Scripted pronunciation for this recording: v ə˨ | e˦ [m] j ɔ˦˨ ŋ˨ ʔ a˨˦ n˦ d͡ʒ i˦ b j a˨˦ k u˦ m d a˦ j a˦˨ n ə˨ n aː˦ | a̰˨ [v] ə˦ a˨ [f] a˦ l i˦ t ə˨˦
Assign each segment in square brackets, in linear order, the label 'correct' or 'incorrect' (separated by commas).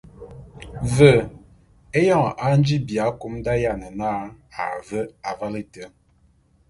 incorrect, correct, incorrect